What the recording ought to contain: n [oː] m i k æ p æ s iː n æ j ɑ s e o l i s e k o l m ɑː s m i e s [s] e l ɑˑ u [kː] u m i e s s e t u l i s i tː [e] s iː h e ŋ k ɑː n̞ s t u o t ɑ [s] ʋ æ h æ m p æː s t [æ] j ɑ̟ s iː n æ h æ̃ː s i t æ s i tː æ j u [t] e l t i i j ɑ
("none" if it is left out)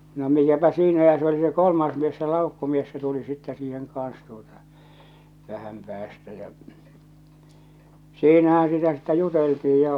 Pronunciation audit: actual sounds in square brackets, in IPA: o, s, kː, ɛ, none, æ, t

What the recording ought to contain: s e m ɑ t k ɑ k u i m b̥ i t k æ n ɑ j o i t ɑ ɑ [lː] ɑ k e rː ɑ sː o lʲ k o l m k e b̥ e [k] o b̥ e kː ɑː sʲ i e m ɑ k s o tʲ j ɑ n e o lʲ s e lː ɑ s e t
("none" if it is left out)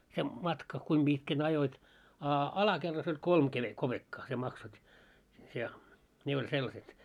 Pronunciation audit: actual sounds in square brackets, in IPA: l, k

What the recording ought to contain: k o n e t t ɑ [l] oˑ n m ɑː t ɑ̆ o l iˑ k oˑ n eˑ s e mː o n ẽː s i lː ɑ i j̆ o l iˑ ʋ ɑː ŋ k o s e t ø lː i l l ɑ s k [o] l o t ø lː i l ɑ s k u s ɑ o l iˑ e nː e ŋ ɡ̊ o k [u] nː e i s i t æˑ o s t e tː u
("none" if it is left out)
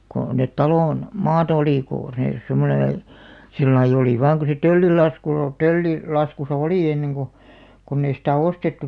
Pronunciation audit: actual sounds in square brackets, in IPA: l, u, o

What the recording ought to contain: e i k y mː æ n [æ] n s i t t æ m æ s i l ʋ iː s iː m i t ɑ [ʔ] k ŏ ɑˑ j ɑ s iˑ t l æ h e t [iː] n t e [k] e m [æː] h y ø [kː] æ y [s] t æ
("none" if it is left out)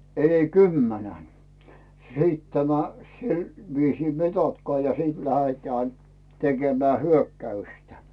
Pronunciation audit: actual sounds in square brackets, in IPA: æ, t, æː, k, æː, kː, s

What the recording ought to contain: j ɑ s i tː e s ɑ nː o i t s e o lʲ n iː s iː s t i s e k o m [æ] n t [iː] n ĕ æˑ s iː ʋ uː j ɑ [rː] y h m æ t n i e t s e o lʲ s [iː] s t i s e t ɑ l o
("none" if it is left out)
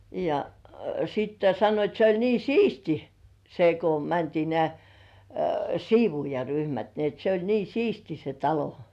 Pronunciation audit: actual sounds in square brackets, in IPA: æ, iː, r, iː

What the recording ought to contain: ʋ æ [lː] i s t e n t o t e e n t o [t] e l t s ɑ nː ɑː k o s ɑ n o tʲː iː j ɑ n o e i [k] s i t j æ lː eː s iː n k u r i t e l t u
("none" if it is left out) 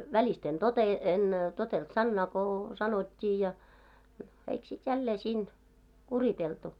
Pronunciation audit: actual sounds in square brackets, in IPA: l, t, k

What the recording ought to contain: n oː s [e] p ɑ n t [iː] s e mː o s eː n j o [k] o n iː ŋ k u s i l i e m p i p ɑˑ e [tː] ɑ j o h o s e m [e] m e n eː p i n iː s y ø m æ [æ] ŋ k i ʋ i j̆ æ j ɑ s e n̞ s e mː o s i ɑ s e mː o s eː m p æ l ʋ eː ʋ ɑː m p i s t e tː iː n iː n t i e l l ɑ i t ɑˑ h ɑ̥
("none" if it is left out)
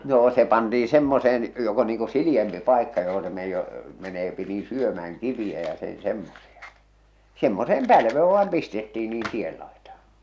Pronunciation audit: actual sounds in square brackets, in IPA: e, iː, k, kː, e, æ

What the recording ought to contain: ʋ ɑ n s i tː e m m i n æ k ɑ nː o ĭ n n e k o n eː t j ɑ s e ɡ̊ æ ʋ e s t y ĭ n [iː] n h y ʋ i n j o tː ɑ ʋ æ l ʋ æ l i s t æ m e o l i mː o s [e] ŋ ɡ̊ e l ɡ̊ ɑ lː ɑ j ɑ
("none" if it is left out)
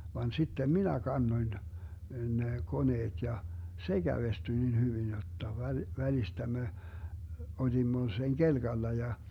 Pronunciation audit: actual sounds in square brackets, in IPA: i, e

